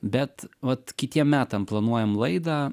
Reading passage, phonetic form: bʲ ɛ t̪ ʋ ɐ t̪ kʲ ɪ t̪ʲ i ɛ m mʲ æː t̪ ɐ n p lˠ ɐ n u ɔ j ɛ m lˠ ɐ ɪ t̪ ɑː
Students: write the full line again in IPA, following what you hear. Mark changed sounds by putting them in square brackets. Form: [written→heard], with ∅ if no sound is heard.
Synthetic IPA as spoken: bʲ ɛ t̪ ʋ ɐ t̪ kʲ ɪ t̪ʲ i ɛ m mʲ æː t̪ ɐ [n→m] p lˠ ɐ n u ɔ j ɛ m lˠ ɐ ɪ [t̪→d̪] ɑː